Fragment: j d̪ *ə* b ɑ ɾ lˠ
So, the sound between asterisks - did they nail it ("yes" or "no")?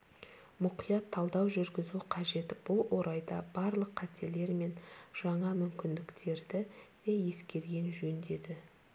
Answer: no